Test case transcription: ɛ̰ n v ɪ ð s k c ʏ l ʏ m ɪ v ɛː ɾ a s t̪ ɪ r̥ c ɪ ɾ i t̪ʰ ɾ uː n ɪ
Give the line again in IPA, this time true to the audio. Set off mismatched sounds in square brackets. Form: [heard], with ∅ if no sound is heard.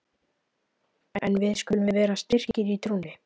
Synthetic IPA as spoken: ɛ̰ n v ɪ ð s k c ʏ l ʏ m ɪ v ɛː ɾ a s t̪ ɪ r̥ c ɪ ɾ i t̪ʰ ɾ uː n ɪ